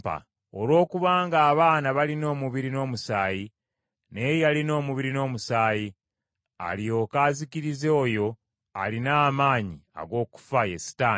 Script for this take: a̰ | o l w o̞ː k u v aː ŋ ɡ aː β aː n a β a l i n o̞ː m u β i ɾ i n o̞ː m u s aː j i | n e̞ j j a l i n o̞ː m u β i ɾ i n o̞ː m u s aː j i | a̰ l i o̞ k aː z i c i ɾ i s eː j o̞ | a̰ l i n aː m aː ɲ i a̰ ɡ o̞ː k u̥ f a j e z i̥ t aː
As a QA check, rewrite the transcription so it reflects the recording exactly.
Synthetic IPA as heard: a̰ | o l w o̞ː k u β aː ŋ ɡ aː β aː n a β a l i n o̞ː m u β i ɾ i n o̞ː m u s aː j i | n e̞ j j a l i n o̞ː m u β i ɾ i n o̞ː m u s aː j i | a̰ l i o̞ k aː z i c i ɾ i z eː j o̞ | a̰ l i n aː m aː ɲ i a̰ ɡ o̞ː k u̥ f a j e s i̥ t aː